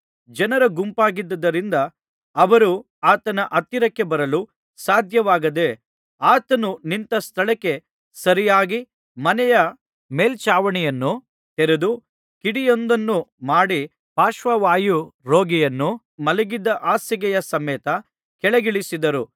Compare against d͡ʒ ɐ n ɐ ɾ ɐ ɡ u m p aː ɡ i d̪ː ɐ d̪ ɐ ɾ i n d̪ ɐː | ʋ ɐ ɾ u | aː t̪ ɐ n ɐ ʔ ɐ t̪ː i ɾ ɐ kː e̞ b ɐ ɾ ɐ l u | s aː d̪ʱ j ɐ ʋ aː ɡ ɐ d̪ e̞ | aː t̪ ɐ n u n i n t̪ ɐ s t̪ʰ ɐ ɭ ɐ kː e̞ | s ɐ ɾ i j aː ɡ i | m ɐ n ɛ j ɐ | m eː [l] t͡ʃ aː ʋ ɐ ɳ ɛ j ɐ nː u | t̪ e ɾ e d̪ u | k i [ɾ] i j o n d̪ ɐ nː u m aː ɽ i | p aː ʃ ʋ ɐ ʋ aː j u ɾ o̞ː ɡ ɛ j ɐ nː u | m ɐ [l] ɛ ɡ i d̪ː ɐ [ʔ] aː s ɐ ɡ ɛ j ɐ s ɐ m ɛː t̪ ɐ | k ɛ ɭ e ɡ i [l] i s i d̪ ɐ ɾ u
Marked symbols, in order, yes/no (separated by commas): yes, no, yes, yes, no